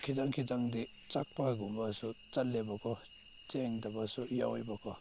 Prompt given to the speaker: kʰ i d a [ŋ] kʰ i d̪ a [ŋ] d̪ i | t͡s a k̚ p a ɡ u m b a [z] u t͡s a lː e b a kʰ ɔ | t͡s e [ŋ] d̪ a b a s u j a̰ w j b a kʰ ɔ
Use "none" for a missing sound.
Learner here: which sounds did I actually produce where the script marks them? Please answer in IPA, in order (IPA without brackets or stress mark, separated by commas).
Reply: ŋ, ŋ, s, ŋ